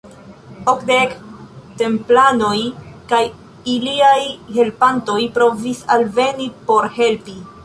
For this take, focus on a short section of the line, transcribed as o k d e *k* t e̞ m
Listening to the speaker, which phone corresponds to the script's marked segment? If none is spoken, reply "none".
k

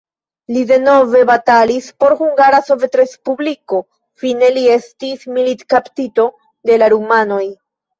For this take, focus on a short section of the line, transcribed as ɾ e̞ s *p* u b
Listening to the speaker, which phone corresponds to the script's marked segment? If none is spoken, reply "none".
p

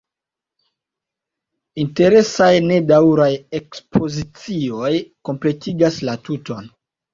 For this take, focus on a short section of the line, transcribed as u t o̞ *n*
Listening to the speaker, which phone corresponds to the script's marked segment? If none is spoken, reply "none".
n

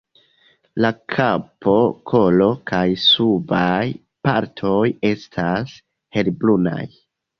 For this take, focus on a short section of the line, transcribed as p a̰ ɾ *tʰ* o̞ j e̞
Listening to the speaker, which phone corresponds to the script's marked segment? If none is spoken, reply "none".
tʰ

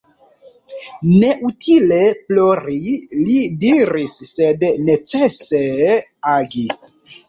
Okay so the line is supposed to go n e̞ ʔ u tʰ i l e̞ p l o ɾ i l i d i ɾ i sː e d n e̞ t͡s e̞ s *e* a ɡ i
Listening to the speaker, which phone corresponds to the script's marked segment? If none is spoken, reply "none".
e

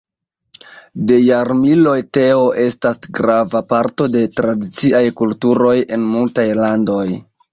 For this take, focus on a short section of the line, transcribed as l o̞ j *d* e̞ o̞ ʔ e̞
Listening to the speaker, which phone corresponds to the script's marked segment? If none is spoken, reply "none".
t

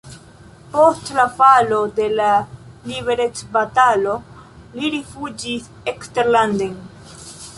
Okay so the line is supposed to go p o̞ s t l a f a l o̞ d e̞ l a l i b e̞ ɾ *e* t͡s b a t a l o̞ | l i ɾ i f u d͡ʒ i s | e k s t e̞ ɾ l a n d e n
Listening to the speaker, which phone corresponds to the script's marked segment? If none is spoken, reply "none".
e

